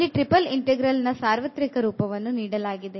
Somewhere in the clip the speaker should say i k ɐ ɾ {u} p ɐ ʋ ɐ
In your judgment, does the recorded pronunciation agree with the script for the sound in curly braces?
no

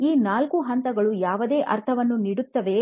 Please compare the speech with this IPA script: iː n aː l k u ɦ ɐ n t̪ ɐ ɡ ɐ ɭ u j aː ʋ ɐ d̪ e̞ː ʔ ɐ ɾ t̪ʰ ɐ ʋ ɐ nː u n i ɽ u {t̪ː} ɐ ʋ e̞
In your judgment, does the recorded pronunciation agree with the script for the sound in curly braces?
yes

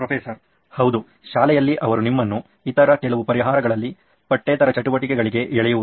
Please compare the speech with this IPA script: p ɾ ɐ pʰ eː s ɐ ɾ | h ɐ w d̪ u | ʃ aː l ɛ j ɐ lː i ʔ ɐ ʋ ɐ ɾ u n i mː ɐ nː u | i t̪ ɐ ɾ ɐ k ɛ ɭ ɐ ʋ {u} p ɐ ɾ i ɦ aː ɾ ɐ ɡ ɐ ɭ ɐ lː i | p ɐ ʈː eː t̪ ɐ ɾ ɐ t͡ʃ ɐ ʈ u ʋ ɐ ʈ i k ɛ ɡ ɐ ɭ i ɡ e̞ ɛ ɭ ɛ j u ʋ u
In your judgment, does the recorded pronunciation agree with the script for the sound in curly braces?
yes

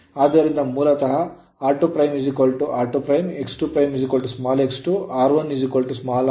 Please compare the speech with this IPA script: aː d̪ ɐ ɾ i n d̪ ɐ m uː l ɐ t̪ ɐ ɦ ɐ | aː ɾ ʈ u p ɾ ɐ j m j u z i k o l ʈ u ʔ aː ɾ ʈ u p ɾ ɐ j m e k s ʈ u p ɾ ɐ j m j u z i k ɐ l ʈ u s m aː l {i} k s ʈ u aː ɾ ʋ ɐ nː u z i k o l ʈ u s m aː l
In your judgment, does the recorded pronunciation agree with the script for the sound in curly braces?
no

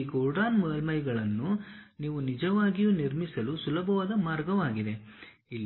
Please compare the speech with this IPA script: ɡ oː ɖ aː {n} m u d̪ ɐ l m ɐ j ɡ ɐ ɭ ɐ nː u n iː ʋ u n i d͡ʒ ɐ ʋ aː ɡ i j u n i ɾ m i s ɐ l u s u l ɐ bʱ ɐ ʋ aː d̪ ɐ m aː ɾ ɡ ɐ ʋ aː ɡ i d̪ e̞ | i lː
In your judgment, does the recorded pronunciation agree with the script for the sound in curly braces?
yes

